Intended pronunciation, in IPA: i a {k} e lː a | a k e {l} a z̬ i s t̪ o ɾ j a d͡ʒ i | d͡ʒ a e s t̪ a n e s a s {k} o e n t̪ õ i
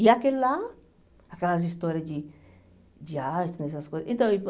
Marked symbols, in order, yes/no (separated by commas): yes, yes, yes